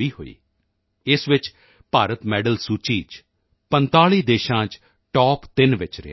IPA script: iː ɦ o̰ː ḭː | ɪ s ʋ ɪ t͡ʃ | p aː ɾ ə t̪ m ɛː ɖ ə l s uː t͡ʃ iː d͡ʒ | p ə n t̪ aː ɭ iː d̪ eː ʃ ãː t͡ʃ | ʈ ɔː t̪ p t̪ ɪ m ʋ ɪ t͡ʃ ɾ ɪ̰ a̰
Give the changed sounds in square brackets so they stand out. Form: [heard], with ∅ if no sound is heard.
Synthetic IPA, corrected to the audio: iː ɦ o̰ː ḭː | ɪ s ʋ ɪ t͡ʃ | p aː ɾ ə t̪ m ɛː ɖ ə l s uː t͡ʃ iː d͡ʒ | p ə n t̪ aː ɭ iː d̪ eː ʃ ãː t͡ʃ | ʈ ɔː [∅] p t̪ ɪ [n] ʋ ɪ t͡ʃ ɾ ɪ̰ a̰

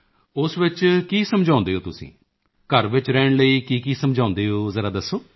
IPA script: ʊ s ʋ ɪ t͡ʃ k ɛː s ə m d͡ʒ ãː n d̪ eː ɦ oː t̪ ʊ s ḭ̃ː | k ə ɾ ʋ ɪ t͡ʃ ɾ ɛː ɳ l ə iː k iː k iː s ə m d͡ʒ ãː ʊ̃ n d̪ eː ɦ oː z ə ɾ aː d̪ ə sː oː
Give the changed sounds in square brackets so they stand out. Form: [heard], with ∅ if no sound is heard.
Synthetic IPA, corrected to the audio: ʊ s ʋ ɪ t͡ʃ k [iː] s ə m d͡ʒ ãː n d̪ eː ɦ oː t̪ ʊ s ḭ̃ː | k ə ɾ ʋ ɪ t͡ʃ ɾ ɛː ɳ l ə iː k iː k iː s ə m d͡ʒ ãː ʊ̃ n d̪ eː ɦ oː z ə ɾ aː d̪ ə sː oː

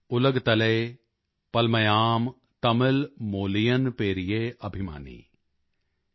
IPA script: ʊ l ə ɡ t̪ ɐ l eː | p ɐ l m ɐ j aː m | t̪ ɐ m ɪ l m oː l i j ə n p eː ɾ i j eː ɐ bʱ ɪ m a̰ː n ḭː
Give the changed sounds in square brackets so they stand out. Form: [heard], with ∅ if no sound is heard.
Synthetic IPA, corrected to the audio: ʊ l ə ɡ t̪ ɐ l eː | p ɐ l m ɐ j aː m | t̪ ɐ m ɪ l m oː l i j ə n p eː ɾ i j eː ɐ bʱ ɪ m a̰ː n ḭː

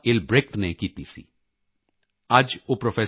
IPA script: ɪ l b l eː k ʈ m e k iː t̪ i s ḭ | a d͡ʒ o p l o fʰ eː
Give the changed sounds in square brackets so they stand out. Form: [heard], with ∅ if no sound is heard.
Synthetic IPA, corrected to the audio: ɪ l b [ɾ] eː k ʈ [n] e k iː t̪ i s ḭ | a d͡ʒ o p [ɾ] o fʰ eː

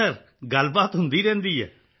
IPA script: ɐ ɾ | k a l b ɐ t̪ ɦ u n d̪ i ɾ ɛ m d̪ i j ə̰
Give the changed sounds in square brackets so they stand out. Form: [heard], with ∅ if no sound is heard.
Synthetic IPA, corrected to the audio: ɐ ɾ | [ɡ] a l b [a] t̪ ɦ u n d̪ i ɾ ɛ [n] d̪ i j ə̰

